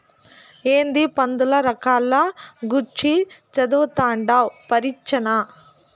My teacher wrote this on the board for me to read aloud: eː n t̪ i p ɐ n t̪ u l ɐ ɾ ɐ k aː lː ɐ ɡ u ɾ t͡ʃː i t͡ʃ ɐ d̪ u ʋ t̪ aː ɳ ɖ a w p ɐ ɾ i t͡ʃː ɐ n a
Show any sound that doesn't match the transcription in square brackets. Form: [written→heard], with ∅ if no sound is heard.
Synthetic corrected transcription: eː n [t̪→d̪] i p ɐ n [t̪→d̪] u l ɐ ɾ ɐ k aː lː ɐ ɡ u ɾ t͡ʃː i t͡ʃ ɐ d̪ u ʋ t̪ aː ɳ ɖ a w p ɐ ɾ i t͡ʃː ɐ n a